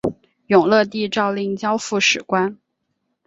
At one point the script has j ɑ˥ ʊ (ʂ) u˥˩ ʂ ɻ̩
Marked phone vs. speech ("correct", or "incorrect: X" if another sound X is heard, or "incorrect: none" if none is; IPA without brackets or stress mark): incorrect: f